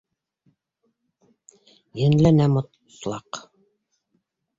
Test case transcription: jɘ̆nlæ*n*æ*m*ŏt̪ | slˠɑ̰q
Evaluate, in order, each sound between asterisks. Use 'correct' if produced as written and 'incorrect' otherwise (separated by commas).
correct, correct